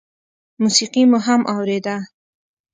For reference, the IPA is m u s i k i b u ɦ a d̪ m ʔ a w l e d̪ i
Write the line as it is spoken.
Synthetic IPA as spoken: m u s i q i m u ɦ a m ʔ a w ɾ e d̪ a